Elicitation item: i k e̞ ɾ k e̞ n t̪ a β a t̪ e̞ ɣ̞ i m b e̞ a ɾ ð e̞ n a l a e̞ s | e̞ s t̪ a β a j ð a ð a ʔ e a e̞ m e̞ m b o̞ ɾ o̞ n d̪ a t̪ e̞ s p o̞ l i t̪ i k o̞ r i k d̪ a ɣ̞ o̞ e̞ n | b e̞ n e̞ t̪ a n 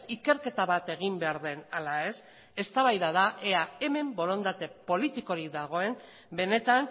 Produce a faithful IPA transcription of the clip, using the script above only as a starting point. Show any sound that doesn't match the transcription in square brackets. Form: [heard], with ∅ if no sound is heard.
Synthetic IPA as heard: i k e̞ ɾ k e̞ [∅] t̪ a β a t̪ e̞ ɣ̞ i m b e̞ a ɾ ð e̞ n a l a e̞ s | e̞ s t̪ a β a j ð a ð a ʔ e a e̞ m e̞ m b o̞ ɾ o̞ n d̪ a t̪ e̞ [∅] p o̞ l i t̪ i k o̞ [ɾ] i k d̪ a ɣ̞ o̞ e̞ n | b e̞ n e̞ t̪ a n